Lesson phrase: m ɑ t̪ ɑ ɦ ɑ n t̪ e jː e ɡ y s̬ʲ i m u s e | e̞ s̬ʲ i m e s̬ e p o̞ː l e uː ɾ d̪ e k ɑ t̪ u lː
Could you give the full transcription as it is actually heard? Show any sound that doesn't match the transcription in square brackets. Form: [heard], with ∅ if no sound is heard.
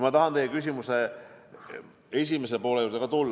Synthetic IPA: m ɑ t̪ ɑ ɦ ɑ n t̪ e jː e [k] y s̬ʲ i m u s e | e̞ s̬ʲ i m e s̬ e p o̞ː l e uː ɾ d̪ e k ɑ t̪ u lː

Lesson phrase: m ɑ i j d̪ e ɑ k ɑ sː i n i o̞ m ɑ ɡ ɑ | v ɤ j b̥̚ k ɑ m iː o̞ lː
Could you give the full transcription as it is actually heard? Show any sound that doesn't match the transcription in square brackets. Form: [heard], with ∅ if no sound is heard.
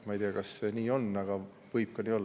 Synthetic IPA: m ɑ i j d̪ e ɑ k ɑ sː [e] n [iː] o̞ [n] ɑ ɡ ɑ | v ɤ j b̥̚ k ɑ [n] iː o̞ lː

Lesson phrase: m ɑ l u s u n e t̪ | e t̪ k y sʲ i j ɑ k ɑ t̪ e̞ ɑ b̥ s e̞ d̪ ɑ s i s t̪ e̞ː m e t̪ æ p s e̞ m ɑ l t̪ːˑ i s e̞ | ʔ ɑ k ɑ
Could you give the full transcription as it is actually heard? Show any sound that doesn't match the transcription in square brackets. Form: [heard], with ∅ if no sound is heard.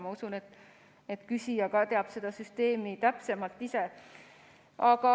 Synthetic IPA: m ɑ [∅] u s u n e t̪ | e t̪ k y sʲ i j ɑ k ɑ t̪ e̞ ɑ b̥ s e̞ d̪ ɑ s [y] s t̪ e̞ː m [i] t̪ æ p s e̞ m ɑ l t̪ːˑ i s e̞ | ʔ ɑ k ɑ

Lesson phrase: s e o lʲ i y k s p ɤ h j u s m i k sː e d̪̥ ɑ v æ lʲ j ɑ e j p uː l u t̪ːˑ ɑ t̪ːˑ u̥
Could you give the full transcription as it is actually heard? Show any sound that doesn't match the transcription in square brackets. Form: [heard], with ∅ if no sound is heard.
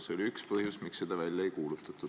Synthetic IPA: s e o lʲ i y k s p ɤ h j u s m i k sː e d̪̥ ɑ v æ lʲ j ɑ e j [k] uː l u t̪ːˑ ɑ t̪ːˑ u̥

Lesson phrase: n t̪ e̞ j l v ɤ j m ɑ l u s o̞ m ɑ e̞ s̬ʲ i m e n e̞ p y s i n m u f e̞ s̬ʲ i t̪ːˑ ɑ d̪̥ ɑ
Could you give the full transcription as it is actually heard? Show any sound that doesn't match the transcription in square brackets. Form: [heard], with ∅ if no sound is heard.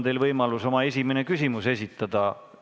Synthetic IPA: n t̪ e̞ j l v ɤ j m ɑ l u s o̞ m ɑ e̞ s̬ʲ i m e n e̞ [k] y s i [∅] m u [s] e̞ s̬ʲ i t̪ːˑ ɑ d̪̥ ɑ

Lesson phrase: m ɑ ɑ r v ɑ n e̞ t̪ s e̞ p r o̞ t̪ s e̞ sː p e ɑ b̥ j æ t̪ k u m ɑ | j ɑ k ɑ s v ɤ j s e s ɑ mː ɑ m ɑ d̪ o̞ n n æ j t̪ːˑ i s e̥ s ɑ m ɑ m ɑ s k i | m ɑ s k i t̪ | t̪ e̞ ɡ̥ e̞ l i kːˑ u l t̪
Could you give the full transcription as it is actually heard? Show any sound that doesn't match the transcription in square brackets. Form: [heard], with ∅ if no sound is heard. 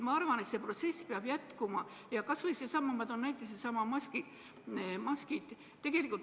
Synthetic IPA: m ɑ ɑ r v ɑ n e̞ t̪ s e̞ p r o̞ t̪ s e̞ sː p e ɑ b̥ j æ t̪ k u m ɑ | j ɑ k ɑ s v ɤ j s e s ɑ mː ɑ m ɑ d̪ o̞ n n æ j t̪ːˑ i s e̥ s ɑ m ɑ m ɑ s k i | m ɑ s k i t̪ | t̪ e̞ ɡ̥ e̞ l i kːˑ u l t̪

